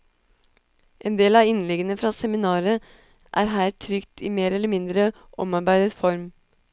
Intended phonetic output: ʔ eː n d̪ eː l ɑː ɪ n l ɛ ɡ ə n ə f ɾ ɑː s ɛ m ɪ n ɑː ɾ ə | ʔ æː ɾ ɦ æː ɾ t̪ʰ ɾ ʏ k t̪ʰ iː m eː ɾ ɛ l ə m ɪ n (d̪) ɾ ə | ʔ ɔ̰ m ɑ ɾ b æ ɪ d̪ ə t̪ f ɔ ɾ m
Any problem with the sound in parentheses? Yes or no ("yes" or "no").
no